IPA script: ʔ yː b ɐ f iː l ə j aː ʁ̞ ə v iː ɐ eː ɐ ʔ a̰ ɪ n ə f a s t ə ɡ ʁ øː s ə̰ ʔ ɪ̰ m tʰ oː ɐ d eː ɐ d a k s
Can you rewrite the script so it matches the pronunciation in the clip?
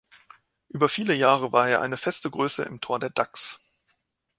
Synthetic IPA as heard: ʔ yː b ɐ f iː l ə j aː ʁ̞ ə v aː ɐ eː ɐ ʔ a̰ ɪ n ə f ɛ s t ə ɡ ʁ øː s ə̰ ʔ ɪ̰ m tʰ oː ɐ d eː ɐ d a k s